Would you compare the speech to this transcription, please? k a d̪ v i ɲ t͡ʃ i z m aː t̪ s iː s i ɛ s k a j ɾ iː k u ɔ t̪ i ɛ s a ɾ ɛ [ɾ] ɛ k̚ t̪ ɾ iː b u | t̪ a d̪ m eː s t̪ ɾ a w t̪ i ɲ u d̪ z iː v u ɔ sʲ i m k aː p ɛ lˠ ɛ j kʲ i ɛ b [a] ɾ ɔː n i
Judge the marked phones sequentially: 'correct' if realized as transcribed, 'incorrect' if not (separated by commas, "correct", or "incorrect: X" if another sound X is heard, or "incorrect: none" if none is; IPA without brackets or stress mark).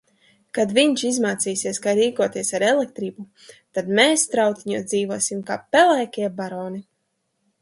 incorrect: l, correct